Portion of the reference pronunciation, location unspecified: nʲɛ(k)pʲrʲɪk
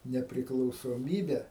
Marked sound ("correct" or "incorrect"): incorrect